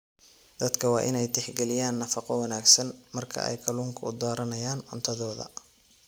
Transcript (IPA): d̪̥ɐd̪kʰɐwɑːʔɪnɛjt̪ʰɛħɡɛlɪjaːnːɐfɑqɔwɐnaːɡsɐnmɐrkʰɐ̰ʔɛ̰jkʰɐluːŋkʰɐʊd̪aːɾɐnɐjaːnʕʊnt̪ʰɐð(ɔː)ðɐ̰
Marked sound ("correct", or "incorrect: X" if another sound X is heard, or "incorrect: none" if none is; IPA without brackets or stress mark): correct